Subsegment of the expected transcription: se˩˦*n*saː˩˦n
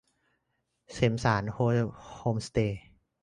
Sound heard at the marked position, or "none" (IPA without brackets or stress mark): m